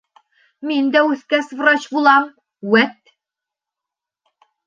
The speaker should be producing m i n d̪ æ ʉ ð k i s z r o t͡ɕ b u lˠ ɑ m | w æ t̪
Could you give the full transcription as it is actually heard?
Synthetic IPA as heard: m i n d̪ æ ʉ θ k æ s v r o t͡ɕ b u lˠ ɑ m | w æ t̪